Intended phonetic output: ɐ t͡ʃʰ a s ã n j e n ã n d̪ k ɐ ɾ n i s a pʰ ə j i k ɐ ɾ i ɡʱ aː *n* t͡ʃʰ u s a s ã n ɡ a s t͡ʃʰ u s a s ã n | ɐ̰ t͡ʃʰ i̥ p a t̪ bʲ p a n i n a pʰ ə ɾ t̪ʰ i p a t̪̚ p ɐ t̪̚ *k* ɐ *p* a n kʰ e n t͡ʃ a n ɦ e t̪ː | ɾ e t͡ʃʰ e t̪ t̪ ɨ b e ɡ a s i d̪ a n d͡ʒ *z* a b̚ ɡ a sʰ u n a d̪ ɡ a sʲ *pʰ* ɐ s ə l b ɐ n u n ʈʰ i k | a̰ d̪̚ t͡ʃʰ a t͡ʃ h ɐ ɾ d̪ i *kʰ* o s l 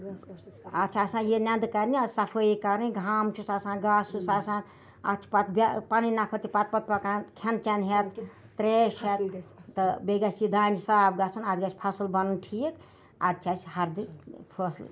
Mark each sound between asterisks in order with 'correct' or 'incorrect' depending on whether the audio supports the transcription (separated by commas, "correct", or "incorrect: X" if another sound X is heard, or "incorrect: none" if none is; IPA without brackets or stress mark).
incorrect: m, incorrect: p, incorrect: k, incorrect: s, correct, incorrect: pʰ